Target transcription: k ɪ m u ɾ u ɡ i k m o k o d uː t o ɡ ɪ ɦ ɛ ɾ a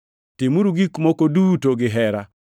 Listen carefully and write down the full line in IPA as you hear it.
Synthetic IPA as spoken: t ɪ m u ɾ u ɡ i k m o k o d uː t o ɡ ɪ ɦ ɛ ɾ a